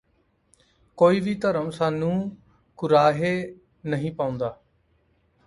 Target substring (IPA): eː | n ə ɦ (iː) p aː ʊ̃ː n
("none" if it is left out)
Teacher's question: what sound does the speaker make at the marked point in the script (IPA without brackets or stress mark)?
ĩː